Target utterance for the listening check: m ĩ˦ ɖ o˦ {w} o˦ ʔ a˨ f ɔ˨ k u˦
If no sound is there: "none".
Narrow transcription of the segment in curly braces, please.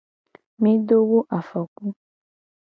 w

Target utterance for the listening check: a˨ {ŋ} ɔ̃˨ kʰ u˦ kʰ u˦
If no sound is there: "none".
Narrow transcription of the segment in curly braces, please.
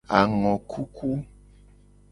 ŋ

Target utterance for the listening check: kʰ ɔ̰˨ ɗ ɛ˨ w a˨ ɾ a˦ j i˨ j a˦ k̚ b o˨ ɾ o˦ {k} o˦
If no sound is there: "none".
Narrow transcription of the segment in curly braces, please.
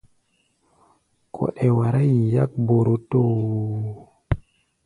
t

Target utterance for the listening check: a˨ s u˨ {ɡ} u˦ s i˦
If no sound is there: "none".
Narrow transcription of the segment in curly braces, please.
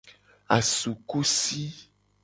k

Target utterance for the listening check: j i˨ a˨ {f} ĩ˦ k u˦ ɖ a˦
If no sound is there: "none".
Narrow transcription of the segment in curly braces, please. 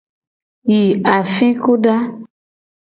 f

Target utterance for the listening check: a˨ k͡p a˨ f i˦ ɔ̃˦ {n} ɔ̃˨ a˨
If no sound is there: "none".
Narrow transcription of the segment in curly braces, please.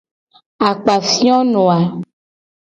n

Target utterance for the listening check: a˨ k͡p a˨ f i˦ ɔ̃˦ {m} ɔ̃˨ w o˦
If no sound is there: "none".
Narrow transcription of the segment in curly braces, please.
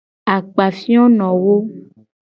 n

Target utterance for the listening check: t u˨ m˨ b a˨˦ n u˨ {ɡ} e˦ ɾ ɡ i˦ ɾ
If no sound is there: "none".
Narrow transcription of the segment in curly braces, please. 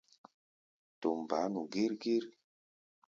ɡ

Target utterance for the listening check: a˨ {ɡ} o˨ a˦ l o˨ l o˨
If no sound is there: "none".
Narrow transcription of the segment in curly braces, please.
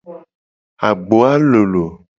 ɡ͡b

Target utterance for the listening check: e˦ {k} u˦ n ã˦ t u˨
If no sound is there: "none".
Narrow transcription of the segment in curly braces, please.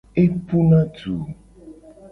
p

